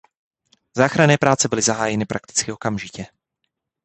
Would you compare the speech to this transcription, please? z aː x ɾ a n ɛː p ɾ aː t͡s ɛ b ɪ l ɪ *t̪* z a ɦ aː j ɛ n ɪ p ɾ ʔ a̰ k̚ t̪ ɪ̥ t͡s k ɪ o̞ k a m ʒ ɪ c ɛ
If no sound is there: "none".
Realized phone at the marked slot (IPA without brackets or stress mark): none